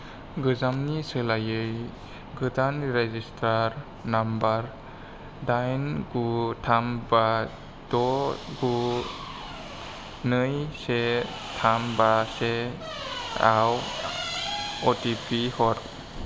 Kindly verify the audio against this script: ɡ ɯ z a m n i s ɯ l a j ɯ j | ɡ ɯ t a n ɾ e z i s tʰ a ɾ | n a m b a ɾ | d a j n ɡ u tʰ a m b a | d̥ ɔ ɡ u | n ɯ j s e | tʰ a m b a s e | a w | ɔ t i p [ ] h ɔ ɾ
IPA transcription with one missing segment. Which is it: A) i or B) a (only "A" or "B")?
A